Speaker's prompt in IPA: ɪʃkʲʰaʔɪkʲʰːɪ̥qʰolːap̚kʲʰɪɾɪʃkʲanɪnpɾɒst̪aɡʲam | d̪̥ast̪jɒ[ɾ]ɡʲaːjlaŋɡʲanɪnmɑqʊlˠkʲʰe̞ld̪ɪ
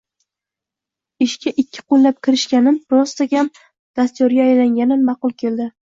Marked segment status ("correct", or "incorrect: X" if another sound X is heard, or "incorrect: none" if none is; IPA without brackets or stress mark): correct